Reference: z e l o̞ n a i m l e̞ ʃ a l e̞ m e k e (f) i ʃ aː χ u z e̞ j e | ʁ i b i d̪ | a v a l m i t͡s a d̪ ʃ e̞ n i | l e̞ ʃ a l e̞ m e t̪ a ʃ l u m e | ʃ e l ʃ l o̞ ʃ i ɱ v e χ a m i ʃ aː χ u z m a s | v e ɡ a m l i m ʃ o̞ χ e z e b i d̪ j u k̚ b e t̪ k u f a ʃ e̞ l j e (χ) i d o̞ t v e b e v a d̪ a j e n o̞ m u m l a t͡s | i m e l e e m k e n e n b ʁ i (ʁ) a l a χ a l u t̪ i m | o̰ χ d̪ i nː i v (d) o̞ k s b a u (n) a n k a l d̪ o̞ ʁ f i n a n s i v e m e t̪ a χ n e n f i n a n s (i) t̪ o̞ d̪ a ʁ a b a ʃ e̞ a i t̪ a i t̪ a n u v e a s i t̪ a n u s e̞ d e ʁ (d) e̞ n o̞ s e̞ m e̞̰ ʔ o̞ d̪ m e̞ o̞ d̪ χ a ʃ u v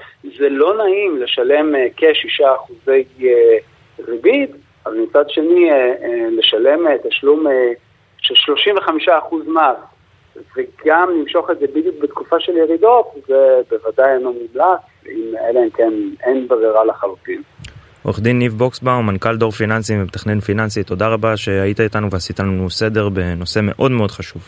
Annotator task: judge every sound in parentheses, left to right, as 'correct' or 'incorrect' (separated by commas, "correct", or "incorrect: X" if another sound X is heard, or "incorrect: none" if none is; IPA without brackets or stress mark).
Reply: incorrect: ʃ, incorrect: ʁ, correct, incorrect: b, incorrect: m, correct, incorrect: b